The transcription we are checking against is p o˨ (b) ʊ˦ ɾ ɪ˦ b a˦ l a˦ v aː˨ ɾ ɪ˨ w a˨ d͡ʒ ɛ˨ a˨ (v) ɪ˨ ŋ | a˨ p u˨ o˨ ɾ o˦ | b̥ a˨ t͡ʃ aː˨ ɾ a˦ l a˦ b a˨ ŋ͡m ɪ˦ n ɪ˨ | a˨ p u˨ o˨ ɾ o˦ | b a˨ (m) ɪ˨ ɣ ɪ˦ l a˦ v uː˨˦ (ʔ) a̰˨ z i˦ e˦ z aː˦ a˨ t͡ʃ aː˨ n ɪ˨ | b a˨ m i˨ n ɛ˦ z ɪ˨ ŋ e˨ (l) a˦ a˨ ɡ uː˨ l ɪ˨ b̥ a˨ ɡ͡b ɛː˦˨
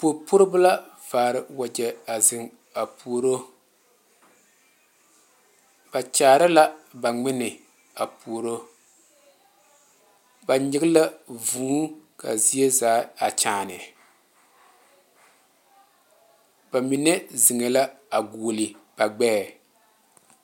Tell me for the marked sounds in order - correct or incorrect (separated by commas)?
incorrect, incorrect, incorrect, incorrect, correct